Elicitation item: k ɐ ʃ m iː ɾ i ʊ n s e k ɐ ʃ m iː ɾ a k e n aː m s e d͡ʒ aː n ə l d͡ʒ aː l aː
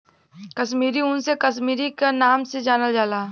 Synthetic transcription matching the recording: k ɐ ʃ m iː ɾ i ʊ n s e k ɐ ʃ m iː ɾ i k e n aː m s e d͡ʒ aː n ə l d͡ʒ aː l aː